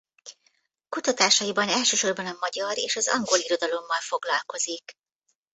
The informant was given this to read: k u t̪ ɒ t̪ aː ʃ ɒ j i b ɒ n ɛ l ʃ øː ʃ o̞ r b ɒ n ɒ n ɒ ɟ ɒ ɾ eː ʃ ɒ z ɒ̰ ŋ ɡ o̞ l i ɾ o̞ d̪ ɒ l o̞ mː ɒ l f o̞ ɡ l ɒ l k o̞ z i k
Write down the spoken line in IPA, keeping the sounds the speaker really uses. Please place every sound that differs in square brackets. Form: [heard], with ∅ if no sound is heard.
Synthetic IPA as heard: k u t̪ ɒ t̪ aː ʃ ɒ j i b ɒ n ɛ l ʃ øː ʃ o̞ r b ɒ n ɒ [m] ɒ ɟ ɒ ɾ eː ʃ ɒ z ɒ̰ ŋ ɡ o̞ l i ɾ o̞ d̪ ɒ l o̞ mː ɒ l f o̞ ɡ l ɒ l k o̞ z i k